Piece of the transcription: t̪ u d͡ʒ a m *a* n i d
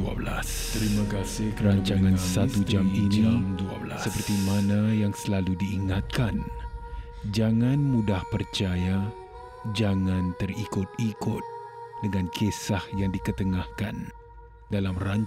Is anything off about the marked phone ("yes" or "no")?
yes